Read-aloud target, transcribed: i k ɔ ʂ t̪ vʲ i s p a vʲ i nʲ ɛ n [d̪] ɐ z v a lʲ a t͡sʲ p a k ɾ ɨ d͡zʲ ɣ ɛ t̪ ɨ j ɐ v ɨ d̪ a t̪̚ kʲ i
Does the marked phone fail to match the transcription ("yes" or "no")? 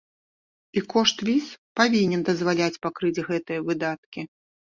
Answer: no